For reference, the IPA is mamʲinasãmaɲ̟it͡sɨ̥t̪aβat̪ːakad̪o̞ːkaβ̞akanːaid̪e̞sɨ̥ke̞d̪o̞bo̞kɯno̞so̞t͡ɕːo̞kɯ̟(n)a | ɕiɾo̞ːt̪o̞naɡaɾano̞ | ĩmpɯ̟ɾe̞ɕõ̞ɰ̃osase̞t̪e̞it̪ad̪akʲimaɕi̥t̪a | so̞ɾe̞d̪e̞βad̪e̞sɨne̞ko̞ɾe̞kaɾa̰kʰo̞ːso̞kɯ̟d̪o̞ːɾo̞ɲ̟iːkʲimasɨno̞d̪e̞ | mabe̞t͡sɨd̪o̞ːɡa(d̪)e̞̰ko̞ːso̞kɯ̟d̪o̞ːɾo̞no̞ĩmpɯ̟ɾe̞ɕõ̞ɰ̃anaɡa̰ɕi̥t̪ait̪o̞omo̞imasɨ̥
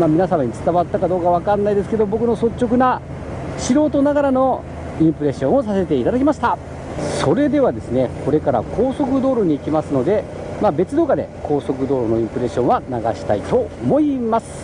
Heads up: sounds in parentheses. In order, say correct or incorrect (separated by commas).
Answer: correct, correct